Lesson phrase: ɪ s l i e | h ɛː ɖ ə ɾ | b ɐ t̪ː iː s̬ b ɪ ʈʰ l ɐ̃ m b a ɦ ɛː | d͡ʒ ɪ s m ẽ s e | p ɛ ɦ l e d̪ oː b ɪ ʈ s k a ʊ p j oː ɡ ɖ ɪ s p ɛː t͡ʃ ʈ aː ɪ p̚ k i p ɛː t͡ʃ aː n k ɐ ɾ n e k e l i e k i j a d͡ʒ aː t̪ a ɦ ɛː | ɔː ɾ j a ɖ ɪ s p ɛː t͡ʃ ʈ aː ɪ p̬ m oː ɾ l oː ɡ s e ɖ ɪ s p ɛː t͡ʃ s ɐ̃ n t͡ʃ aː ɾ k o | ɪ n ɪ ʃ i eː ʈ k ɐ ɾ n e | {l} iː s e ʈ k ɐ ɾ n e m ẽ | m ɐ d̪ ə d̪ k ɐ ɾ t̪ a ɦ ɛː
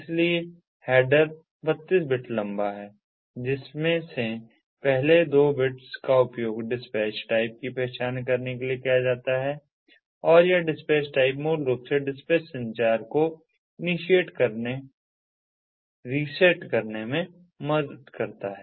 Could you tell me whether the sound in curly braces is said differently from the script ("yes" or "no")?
yes